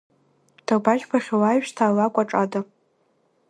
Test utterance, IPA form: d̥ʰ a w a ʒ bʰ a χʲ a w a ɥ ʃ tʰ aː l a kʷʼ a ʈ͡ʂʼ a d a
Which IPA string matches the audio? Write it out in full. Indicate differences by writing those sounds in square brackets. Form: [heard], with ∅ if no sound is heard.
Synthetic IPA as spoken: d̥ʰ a [b] a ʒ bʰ a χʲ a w a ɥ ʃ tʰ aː l a kʷʼ a ʈ͡ʂʼ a d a